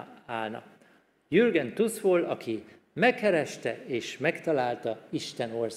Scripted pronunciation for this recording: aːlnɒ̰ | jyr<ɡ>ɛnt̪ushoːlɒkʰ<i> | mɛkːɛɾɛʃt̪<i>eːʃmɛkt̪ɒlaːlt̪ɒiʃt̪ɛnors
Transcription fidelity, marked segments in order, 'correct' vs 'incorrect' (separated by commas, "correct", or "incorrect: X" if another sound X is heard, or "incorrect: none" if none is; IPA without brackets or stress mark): correct, correct, incorrect: ɛ